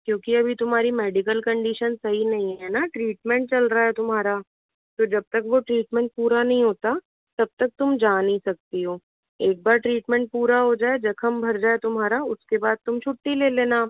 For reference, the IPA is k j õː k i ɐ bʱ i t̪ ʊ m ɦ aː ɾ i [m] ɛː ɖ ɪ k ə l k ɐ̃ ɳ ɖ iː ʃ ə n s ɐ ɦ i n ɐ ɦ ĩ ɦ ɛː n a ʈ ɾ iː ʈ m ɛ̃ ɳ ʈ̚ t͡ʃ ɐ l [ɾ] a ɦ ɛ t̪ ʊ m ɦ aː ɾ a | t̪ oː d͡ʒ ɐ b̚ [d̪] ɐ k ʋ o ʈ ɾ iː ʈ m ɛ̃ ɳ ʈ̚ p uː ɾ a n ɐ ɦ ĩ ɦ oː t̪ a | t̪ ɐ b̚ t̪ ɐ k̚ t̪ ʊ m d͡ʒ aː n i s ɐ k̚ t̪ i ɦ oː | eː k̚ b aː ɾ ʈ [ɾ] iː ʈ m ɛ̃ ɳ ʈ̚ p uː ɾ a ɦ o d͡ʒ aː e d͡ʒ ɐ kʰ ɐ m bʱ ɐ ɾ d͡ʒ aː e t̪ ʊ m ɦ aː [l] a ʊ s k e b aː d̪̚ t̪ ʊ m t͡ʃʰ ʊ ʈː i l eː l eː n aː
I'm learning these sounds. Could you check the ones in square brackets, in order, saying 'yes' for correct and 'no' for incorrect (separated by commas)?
yes, yes, no, yes, no